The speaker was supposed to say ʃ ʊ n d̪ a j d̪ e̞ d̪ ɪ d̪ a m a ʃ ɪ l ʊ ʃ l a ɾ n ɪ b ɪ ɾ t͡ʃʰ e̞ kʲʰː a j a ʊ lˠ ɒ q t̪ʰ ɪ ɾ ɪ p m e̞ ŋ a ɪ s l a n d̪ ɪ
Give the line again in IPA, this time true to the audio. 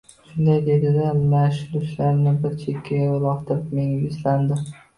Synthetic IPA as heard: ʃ ʊ n d̪ a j d̪ e̞ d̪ ɪ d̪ a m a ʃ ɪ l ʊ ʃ l a ɾ n ɪ b ɪ ɾ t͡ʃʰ e̞ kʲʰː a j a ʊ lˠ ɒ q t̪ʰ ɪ ɾ ɪ p m e̞ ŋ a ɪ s l a n d̪ ɪ